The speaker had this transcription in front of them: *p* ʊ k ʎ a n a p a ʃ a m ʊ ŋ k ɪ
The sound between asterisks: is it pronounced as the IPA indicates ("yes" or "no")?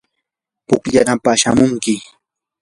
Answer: yes